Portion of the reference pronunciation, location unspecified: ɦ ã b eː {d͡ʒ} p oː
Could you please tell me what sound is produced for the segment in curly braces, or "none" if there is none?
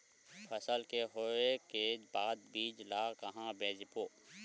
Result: d͡ʒ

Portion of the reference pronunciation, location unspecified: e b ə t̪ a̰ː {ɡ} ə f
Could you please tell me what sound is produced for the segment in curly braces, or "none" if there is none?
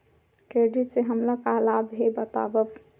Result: b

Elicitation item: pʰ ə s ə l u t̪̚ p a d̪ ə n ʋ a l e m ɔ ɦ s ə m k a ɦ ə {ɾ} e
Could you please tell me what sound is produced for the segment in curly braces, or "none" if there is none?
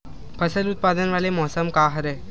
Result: ɾ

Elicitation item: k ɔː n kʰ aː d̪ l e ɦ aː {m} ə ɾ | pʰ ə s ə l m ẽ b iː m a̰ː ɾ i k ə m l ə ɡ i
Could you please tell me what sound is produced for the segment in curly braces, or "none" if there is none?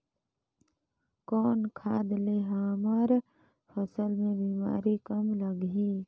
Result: m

